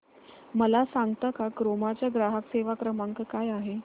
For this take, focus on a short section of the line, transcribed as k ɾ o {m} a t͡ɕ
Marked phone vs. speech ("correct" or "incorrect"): correct